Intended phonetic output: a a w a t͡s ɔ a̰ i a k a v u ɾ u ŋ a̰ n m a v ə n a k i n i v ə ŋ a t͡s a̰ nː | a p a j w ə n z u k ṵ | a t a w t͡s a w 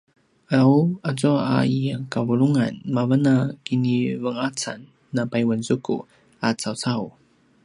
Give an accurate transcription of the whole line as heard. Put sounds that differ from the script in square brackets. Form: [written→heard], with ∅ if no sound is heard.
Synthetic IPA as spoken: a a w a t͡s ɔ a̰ i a k a v u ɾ u ŋ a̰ n m a v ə n a k i n i v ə ŋ a t͡s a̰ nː | a p a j w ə n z u k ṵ | a [t→t͡s] a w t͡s a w

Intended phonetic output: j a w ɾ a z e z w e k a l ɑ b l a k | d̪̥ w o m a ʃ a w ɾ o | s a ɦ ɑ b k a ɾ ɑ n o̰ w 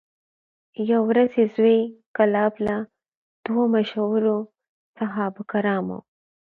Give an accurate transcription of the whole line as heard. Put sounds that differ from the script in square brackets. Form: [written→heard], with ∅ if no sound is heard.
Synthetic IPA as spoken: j a w ɾ a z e z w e k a l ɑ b l a [k→∅] | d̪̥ w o m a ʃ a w ɾ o | s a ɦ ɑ b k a ɾ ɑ [n→m] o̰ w

